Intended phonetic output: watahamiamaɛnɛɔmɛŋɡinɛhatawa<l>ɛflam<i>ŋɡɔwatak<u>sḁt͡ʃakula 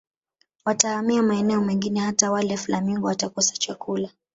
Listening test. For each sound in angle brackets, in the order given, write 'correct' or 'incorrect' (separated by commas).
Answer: correct, correct, incorrect